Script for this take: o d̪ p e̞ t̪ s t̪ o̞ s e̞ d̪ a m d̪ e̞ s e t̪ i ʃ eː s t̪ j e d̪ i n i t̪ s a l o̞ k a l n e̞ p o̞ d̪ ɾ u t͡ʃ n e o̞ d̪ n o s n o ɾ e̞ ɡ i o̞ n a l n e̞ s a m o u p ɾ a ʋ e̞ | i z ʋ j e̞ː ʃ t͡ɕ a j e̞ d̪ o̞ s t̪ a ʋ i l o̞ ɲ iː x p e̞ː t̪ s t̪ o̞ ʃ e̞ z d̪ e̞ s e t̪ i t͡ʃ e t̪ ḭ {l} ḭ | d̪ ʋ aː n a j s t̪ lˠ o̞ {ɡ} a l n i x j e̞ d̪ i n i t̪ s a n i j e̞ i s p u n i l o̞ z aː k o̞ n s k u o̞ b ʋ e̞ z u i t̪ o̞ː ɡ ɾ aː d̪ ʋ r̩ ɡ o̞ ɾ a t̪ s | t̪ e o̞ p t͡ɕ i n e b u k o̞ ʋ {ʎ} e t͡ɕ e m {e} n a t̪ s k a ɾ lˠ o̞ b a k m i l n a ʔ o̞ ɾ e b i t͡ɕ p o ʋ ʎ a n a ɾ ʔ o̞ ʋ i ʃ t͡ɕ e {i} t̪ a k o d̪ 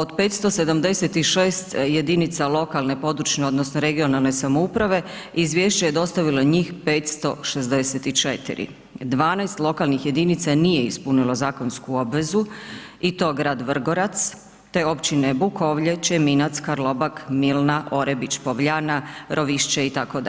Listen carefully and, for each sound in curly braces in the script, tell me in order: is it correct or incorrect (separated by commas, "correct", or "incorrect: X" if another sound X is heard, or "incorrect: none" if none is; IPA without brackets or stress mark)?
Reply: incorrect: ɾ, incorrect: k, correct, incorrect: i, correct